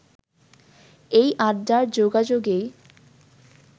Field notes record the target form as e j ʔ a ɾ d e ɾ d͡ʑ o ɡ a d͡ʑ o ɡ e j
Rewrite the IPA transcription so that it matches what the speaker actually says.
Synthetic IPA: e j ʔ a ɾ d a ɾ d͡ʑ o ɡ a d͡ʑ o ɡ e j